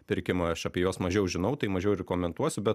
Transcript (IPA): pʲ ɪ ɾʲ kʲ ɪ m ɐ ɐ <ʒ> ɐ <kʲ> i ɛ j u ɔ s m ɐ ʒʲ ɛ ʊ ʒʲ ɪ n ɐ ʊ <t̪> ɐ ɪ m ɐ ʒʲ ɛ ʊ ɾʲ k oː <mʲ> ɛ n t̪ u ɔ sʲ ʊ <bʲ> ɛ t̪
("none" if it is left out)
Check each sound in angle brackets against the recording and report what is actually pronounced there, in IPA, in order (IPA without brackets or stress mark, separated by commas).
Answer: ʃ, pʲ, t̪, mʲ, bʲ